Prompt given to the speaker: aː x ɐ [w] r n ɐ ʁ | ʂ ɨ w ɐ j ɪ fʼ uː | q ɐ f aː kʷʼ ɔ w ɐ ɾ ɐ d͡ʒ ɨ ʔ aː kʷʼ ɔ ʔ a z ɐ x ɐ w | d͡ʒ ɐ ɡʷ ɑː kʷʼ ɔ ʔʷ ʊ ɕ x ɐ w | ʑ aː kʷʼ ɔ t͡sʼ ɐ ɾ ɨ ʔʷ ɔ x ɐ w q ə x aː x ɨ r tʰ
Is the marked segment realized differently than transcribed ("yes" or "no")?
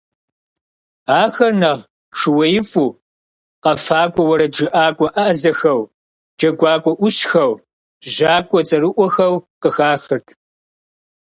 yes